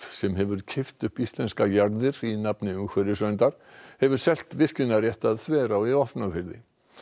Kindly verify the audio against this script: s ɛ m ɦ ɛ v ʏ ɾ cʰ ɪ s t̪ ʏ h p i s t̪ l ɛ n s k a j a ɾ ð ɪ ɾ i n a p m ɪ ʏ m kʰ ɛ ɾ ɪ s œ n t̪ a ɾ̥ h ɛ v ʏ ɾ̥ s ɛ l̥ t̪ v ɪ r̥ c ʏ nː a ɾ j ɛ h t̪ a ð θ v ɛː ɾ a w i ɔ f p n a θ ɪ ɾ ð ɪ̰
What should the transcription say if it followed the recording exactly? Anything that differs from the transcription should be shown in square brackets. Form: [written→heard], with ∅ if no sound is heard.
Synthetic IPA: s ɛ m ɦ ɛ v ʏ ɾ cʰ ɪ [s→f] t̪ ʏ h p i s t̪ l ɛ n s k a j a ɾ ð ɪ ɾ i n a p [m→n] ɪ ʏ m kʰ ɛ ɾ ɪ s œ n t̪ a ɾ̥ h ɛ v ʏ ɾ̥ s ɛ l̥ t̪ v ɪ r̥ c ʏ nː a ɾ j ɛ h t̪ a ð θ v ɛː ɾ a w i ɔ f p n a [θ→f] ɪ ɾ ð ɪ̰